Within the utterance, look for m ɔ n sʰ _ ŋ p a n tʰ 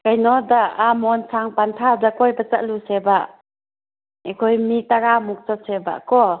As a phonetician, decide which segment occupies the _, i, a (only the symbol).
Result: a